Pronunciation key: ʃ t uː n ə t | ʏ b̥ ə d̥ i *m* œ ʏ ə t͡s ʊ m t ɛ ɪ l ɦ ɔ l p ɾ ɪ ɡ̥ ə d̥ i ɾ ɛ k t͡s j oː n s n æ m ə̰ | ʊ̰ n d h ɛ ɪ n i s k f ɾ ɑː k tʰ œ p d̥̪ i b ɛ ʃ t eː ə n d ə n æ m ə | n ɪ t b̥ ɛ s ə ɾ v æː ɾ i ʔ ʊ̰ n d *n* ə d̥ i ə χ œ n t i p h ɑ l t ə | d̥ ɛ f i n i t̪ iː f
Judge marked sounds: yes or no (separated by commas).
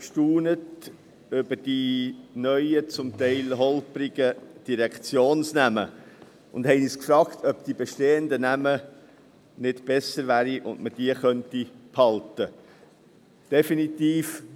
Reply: no, no